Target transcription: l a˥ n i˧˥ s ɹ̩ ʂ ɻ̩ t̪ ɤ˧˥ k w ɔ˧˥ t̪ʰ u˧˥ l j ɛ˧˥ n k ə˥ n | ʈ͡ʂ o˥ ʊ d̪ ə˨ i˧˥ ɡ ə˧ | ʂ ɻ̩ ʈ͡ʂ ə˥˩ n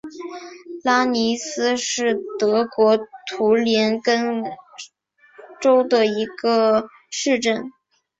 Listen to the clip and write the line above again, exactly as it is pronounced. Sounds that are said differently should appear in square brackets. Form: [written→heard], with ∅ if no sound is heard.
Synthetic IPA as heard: l a˥ n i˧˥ s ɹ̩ ʂ ɻ̩ t̪ ɤ˧˥ k w ɔ˧˥ t̪ʰ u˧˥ l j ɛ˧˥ n k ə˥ n | ʈ͡ʂ o˥ ʊ d̪ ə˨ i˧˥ ɡ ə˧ | ʂ ɻ̩ ʈ͡ʂ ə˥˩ n